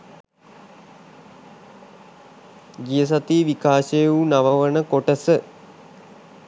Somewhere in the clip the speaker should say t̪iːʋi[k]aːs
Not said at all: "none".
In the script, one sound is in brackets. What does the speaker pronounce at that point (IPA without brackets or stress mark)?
k